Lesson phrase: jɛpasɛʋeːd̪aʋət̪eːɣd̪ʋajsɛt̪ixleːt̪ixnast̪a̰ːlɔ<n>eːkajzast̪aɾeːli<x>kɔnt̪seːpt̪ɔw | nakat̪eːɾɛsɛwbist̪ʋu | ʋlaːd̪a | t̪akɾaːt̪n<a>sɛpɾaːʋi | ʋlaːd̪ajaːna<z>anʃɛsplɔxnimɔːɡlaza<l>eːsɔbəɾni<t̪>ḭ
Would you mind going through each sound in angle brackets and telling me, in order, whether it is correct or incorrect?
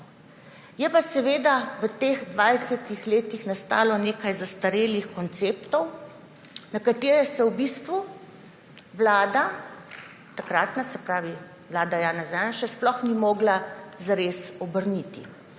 correct, correct, correct, correct, incorrect: ɾ, correct

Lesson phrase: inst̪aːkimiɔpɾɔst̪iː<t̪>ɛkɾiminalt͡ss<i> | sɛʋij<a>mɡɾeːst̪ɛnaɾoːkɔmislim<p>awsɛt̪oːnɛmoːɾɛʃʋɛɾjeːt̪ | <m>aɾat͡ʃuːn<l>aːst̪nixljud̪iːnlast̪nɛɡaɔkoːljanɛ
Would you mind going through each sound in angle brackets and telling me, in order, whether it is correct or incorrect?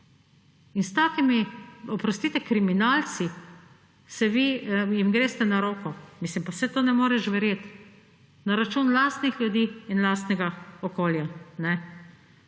correct, correct, incorrect: i, correct, incorrect: n, correct

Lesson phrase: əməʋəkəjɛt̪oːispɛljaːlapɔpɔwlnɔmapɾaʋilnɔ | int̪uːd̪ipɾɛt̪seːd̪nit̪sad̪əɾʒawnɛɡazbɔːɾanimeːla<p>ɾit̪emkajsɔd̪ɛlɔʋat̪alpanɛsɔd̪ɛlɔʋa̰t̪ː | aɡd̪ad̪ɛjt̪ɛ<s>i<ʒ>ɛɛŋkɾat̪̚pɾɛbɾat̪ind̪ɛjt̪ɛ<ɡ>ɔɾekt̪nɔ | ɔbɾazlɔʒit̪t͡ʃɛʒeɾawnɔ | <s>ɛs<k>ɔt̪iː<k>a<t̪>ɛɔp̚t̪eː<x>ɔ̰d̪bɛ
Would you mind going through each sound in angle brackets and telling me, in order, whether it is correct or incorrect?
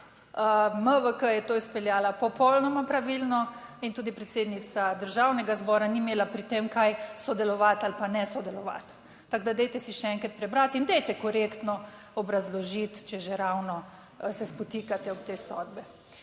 correct, correct, incorrect: ʃ, incorrect: k, correct, incorrect: p, correct, correct, incorrect: s

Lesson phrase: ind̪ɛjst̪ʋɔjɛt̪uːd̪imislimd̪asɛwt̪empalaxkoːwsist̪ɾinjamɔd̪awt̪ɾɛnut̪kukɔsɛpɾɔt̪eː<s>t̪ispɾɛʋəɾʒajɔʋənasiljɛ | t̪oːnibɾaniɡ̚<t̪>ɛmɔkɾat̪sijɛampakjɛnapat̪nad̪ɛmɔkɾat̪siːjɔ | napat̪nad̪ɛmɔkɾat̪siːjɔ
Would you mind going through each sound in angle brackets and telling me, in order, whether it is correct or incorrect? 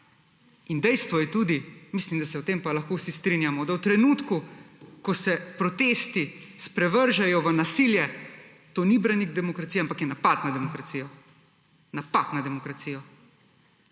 correct, incorrect: d̪

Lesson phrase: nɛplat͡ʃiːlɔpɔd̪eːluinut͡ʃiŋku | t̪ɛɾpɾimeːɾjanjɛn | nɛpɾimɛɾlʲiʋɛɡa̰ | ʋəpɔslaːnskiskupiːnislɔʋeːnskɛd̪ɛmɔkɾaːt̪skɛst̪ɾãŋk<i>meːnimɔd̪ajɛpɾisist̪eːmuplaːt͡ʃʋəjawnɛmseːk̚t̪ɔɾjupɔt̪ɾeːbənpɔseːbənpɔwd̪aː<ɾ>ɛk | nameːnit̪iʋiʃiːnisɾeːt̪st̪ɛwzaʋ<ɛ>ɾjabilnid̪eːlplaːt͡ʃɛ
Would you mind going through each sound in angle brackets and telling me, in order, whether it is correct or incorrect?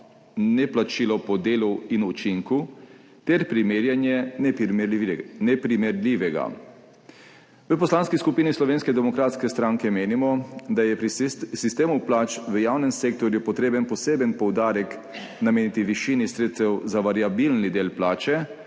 incorrect: ɛ, correct, incorrect: a

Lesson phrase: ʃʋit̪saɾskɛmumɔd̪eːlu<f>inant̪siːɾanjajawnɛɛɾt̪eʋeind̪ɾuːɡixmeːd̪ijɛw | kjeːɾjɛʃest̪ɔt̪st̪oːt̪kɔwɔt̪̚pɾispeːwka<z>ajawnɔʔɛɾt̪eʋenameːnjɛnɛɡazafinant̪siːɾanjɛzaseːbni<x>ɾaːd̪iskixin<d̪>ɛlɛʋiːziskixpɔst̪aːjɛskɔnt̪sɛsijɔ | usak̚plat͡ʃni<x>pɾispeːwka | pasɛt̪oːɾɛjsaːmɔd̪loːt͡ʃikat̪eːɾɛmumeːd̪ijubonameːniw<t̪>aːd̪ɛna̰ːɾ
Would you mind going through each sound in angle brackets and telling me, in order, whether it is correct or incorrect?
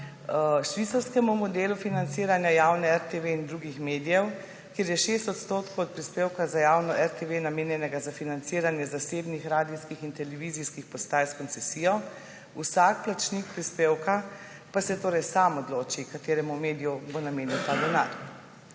correct, correct, correct, incorrect: t̪, incorrect: k, correct

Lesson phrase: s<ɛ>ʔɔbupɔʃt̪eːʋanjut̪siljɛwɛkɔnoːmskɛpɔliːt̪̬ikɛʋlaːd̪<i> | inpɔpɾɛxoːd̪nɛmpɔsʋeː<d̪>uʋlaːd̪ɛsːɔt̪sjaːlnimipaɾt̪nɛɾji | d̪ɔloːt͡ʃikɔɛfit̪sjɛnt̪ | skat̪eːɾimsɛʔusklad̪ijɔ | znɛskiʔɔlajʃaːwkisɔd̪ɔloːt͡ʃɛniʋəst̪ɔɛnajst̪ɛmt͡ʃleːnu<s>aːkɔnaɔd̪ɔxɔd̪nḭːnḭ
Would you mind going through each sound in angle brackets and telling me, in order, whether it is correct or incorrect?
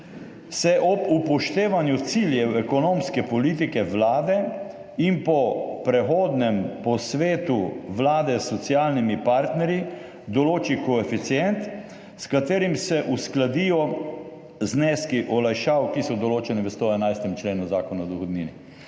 correct, incorrect: ɛ, incorrect: t̪, incorrect: z

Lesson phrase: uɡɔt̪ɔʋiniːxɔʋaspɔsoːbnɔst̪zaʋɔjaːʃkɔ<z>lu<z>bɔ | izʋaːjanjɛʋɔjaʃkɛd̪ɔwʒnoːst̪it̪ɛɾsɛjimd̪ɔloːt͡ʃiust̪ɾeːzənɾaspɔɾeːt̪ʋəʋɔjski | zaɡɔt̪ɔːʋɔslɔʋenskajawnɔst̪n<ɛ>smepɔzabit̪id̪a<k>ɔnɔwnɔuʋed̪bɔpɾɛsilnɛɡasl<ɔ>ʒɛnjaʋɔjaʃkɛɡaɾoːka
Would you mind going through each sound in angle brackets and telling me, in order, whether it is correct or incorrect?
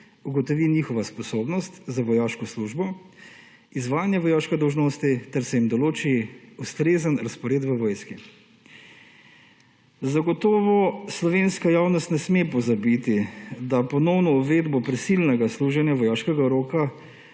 incorrect: s, incorrect: ʒ, correct, incorrect: p, incorrect: u

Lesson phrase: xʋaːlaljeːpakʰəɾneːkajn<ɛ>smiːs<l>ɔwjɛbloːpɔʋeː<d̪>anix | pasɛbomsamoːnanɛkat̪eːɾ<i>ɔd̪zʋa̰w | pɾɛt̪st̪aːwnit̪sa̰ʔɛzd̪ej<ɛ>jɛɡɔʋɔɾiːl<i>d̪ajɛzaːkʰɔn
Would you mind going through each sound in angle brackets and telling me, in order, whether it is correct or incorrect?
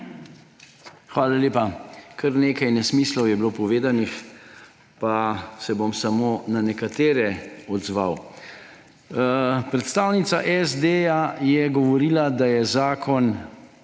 correct, correct, correct, incorrect: ɛ, incorrect: a, incorrect: a

